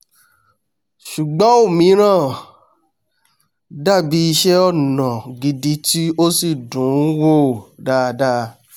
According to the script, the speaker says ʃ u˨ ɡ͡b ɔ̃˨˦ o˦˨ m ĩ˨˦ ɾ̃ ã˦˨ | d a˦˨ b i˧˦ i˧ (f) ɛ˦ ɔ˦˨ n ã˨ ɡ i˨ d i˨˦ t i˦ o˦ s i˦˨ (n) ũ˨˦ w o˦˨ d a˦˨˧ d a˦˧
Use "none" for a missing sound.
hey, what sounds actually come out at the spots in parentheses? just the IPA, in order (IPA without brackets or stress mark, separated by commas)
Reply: ʃ, d